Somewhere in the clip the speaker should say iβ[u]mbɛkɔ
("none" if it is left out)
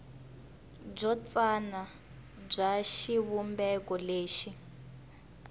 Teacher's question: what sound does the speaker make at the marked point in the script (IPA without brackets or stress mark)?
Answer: u